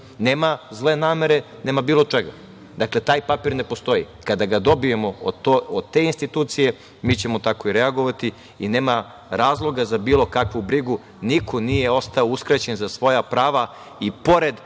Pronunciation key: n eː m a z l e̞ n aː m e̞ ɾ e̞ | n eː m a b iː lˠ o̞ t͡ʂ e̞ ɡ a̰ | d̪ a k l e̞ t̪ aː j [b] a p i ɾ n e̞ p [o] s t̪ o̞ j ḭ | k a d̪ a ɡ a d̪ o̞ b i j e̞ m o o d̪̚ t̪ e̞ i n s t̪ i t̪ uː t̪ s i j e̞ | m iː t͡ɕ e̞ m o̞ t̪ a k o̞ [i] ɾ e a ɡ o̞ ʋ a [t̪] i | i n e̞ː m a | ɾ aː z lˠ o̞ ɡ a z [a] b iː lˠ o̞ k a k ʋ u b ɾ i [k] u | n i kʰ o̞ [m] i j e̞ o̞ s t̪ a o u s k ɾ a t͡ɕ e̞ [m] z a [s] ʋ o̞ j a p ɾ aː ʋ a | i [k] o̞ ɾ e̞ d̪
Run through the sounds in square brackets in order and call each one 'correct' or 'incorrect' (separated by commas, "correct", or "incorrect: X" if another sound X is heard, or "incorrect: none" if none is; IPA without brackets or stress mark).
incorrect: p, correct, correct, correct, correct, incorrect: ɡ, incorrect: n, incorrect: n, correct, incorrect: p